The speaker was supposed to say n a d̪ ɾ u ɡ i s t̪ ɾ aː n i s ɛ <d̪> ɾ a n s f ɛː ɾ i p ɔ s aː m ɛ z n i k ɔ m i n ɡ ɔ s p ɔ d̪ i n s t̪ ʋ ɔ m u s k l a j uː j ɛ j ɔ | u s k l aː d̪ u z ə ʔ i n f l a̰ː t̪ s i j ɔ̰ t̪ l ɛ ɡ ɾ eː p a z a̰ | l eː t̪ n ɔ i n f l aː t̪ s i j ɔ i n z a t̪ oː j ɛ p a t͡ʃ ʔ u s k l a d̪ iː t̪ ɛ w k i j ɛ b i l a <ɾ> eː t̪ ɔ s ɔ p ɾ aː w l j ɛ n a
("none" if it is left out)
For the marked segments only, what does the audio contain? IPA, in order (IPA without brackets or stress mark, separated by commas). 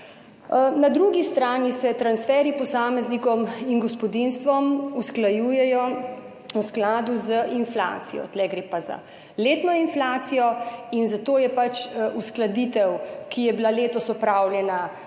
t̪, l